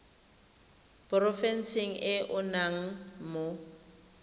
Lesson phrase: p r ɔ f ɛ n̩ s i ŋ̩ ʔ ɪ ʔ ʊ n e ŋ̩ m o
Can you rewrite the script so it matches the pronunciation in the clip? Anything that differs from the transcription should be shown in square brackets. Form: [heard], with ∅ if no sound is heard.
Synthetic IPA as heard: p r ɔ f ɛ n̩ s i ŋ̩ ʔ ɪ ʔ ʊ n [a] ŋ̩ m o